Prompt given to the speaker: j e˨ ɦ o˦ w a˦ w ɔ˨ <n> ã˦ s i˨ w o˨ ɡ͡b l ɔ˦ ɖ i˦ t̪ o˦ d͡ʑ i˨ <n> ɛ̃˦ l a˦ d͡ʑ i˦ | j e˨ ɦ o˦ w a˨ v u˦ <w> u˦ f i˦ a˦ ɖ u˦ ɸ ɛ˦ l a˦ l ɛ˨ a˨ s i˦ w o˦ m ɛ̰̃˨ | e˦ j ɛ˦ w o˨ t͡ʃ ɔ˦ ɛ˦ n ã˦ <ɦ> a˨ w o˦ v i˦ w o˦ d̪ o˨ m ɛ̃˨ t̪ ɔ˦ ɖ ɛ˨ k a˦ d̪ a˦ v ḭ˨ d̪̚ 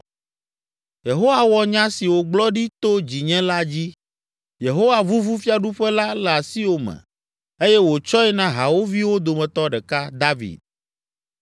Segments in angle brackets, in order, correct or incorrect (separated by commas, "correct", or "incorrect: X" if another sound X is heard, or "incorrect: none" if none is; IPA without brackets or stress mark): incorrect: ɲ, incorrect: ɲ, incorrect: v, correct